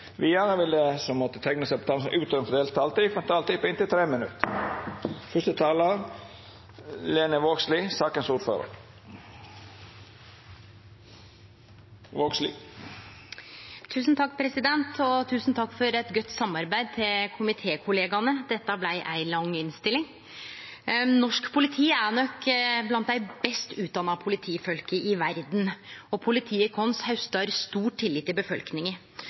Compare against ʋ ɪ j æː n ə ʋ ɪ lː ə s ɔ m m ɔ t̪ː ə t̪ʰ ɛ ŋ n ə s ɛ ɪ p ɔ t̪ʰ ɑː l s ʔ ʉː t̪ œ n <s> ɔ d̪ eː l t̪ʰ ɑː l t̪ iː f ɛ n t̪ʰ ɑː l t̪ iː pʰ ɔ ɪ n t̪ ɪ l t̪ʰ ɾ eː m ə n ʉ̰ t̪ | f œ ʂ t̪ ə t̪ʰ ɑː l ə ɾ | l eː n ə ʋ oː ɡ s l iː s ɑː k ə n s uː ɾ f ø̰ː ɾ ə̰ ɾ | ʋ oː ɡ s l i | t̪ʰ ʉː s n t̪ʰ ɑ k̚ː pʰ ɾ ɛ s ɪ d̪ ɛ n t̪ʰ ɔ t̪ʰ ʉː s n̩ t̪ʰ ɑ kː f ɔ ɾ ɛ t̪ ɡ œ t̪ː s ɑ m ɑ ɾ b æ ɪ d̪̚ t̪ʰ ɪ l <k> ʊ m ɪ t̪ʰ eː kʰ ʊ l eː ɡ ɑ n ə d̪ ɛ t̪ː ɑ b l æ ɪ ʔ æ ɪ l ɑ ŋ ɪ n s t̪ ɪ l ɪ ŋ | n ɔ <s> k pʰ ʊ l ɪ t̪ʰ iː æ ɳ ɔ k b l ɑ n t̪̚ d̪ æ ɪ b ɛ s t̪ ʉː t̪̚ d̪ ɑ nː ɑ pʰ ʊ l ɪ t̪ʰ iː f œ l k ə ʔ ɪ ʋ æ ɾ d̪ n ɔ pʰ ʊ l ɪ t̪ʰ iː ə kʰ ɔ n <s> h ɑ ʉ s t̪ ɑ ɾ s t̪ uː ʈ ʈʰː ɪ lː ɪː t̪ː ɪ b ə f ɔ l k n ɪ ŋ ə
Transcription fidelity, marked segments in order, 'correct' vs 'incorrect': incorrect: f, incorrect: kʰ, incorrect: ʂ, correct

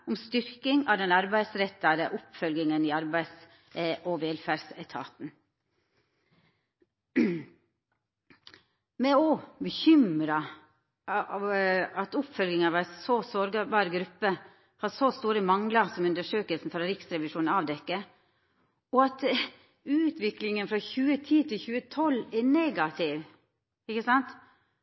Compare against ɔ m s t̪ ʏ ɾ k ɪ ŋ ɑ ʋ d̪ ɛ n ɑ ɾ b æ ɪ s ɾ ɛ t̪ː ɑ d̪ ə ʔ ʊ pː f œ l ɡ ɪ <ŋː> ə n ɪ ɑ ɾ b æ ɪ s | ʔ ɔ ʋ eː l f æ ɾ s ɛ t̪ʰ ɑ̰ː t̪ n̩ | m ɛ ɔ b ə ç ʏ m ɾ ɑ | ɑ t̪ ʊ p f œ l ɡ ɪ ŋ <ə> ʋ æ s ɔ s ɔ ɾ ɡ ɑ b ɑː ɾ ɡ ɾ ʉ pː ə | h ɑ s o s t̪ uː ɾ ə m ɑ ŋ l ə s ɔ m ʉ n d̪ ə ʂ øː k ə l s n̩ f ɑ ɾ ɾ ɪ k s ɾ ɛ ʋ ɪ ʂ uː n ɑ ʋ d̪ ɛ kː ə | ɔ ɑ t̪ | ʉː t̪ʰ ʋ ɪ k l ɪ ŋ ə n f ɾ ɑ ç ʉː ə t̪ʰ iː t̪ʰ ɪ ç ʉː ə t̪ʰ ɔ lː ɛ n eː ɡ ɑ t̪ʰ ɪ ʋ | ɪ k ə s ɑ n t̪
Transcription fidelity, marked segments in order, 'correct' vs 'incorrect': incorrect: ŋ, incorrect: ɑ

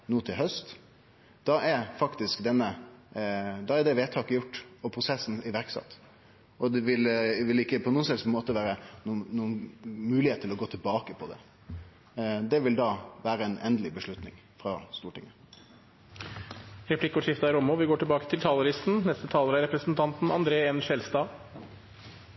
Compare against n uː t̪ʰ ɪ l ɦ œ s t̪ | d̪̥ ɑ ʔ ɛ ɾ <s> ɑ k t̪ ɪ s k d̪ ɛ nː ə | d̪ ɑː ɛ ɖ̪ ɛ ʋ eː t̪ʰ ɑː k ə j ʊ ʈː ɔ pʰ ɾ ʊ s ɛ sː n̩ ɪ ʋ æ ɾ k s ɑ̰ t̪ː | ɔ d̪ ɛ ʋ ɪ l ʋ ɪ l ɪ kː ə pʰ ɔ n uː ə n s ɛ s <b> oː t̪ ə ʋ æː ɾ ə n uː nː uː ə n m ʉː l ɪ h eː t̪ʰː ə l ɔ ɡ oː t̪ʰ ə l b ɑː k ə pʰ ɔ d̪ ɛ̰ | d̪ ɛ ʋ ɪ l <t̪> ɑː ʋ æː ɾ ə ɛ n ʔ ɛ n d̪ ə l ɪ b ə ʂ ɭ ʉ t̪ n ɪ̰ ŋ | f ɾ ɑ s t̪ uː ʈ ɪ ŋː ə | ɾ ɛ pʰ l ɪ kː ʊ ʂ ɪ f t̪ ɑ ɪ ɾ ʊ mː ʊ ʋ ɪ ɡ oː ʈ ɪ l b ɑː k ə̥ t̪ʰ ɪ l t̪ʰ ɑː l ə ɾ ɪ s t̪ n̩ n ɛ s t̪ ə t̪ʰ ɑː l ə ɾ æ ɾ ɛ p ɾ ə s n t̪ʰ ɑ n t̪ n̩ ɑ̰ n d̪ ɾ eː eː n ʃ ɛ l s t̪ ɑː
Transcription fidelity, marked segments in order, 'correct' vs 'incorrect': incorrect: f, incorrect: m, incorrect: d̪

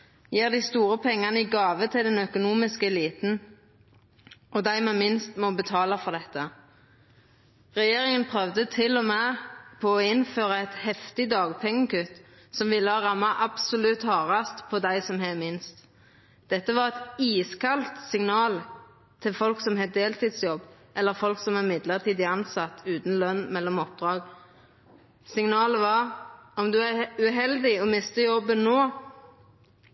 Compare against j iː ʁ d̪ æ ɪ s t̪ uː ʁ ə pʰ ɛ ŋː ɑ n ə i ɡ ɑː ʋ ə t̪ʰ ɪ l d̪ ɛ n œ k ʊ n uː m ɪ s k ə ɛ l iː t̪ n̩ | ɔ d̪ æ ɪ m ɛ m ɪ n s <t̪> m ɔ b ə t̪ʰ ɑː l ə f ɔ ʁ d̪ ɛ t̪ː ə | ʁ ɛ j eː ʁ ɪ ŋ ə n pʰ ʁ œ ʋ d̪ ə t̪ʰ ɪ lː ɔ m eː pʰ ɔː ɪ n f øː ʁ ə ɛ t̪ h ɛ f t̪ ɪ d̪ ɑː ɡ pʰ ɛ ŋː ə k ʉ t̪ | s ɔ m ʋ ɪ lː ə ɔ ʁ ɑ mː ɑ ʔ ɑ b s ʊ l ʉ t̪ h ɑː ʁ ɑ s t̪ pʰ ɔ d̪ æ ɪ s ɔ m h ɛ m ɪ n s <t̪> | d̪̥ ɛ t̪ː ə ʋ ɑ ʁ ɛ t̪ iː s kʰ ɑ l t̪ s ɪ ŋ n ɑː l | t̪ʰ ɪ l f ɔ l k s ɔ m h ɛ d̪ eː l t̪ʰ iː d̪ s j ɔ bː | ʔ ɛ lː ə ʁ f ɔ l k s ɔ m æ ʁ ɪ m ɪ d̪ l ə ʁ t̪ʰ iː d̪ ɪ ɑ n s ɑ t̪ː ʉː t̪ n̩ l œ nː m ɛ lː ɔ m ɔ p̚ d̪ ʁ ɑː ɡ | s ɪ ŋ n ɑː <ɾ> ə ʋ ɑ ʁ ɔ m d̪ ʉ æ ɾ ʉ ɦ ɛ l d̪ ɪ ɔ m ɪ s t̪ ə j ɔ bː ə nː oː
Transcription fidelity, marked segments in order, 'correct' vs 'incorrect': correct, correct, incorrect: l

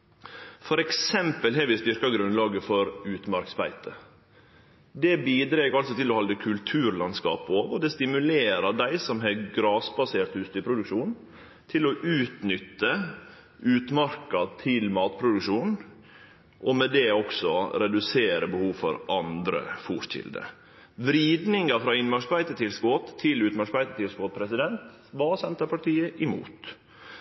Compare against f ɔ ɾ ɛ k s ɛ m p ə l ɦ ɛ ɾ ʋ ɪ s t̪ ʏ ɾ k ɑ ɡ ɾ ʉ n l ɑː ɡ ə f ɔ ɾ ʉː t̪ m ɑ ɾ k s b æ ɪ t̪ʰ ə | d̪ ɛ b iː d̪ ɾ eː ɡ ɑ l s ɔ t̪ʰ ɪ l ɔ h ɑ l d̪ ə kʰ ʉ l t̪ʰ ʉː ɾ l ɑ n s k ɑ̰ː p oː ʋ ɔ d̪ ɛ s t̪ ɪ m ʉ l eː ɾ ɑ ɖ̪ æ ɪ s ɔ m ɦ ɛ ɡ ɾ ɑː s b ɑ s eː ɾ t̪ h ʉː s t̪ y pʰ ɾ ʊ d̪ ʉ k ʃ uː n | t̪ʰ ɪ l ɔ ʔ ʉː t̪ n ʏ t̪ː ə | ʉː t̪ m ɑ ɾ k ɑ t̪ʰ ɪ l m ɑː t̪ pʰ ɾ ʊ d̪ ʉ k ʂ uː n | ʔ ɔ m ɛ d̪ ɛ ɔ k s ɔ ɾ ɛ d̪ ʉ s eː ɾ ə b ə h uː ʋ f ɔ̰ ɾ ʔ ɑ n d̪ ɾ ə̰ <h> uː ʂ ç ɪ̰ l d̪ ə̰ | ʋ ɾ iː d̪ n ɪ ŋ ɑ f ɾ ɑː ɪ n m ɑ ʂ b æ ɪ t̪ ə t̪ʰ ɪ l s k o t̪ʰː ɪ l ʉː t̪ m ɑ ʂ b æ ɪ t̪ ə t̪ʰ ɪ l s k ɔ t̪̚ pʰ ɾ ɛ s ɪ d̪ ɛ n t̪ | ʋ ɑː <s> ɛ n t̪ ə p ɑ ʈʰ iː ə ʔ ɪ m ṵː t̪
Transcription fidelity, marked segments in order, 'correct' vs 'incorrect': incorrect: f, correct

